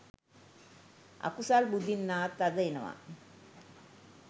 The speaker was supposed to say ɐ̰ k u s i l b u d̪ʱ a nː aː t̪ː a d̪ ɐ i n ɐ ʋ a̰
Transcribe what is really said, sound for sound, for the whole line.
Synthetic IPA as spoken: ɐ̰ k u s a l b u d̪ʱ i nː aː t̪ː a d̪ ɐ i n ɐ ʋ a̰